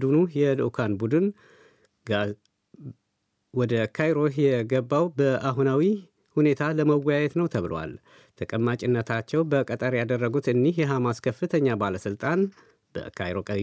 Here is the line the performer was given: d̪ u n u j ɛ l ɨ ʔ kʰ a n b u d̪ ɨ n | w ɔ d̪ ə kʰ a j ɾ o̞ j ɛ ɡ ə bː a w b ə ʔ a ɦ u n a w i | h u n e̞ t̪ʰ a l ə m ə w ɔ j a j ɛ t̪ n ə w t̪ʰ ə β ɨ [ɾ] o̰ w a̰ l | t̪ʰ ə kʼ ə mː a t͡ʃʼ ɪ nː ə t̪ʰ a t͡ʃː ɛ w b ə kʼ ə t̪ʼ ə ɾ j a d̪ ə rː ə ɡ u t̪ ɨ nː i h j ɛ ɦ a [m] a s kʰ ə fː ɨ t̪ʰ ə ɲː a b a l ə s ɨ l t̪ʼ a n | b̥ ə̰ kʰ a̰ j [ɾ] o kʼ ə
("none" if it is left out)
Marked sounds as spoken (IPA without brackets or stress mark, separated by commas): l, m, ɾ